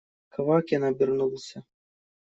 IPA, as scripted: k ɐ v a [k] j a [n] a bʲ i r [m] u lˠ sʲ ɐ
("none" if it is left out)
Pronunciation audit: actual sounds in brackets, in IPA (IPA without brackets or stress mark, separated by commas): k, n, n